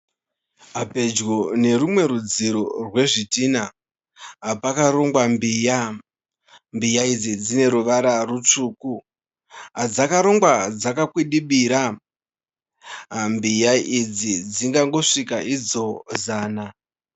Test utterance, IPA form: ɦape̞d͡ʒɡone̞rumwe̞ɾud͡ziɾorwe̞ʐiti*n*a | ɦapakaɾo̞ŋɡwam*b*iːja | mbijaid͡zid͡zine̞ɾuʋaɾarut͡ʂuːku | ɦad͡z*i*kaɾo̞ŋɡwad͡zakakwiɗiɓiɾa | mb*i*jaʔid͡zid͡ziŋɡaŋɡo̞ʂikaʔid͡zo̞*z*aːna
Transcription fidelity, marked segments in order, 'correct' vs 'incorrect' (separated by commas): correct, correct, incorrect, correct, correct